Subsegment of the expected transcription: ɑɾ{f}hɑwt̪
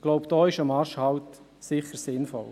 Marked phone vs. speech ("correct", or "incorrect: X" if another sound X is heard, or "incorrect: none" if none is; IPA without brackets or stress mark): incorrect: ʃ